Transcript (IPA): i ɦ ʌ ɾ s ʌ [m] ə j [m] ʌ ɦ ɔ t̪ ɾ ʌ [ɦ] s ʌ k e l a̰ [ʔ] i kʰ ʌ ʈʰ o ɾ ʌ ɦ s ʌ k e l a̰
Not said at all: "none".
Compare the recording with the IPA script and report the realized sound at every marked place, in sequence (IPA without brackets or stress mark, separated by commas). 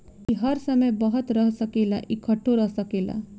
m, b, ɦ, ʔ